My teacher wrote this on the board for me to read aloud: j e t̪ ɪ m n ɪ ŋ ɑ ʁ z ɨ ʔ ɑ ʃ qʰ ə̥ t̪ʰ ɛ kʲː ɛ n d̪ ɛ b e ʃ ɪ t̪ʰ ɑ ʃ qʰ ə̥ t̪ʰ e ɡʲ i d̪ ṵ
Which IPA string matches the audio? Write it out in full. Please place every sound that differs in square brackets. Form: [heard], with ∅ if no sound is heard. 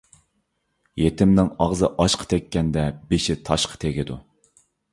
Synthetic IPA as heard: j e t̪ ɪ m n ɪ ŋ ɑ ʁ z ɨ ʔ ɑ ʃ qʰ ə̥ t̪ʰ ɛ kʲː ɛ n d̪ ɛ b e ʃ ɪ t̪ʰ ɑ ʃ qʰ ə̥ t̪ʰ e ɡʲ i d̪ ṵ